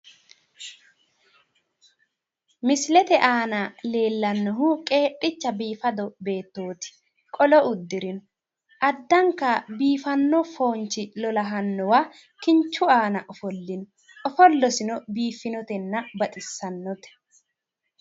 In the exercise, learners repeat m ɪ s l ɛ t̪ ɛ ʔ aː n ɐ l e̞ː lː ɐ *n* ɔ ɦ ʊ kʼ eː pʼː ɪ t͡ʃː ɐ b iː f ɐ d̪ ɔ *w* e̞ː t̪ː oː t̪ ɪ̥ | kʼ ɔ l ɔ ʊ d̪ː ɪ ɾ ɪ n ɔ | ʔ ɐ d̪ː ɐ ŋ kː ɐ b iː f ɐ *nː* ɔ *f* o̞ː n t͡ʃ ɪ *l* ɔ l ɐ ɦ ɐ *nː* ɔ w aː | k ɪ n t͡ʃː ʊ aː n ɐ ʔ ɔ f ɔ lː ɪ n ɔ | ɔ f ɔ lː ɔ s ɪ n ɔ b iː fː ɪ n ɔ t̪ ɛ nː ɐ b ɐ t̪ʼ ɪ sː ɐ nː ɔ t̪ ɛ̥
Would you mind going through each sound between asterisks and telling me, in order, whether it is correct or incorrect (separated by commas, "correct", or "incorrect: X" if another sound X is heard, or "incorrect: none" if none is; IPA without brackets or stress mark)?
incorrect: nː, incorrect: b, correct, correct, correct, correct